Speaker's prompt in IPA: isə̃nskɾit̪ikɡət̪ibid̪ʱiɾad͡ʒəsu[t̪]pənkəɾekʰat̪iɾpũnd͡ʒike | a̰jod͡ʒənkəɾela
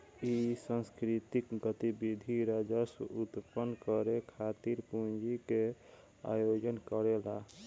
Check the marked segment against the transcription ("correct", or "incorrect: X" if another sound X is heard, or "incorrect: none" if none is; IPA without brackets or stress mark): correct